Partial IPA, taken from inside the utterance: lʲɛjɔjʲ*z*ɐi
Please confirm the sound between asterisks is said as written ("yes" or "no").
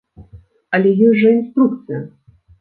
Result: no